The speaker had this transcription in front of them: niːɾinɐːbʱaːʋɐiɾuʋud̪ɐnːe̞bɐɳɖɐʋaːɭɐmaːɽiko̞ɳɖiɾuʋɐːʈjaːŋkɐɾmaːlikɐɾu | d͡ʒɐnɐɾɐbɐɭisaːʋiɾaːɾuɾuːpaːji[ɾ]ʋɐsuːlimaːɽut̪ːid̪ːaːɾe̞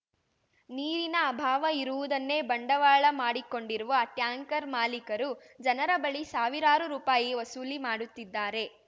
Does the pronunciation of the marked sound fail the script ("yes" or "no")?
yes